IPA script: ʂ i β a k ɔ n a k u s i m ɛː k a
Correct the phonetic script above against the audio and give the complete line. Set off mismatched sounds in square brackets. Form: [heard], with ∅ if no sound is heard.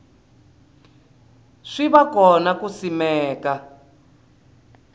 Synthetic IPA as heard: ʂ i β a k ɔ n a k u s i m ɛː k a